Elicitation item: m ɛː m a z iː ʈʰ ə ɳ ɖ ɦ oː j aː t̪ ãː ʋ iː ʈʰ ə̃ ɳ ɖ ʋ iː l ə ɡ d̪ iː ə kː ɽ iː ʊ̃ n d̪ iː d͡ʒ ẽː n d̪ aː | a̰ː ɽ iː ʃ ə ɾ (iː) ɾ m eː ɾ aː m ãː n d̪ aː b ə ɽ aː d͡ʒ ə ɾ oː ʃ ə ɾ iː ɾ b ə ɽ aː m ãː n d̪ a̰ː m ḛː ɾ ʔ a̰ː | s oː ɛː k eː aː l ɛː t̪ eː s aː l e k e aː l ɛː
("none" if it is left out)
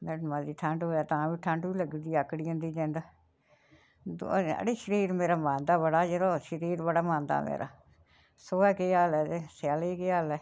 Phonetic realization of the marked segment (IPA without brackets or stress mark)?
iː